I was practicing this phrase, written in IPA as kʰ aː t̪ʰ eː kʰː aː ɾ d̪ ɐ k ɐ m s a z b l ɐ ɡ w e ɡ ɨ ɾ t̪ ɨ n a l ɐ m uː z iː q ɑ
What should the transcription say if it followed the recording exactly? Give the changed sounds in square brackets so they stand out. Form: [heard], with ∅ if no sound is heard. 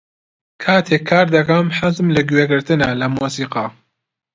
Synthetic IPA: kʰ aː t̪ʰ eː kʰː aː ɾ d̪ ɐ k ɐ m [ħ] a z [m] l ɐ ɡ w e ɡ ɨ ɾ t̪ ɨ n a l ɐ m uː [s] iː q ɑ